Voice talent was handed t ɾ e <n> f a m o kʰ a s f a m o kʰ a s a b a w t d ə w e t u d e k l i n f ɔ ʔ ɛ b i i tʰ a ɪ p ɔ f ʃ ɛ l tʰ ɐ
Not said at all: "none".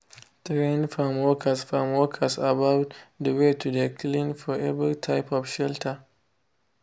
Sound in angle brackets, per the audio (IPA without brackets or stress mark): n